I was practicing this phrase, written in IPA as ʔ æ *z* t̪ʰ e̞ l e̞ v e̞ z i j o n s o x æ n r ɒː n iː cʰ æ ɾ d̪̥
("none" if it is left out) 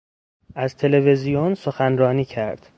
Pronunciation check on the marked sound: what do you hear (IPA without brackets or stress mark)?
z